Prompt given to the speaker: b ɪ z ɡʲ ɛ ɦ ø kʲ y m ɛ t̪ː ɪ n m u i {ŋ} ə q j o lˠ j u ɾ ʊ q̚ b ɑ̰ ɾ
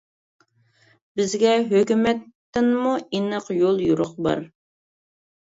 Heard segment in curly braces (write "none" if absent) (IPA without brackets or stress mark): n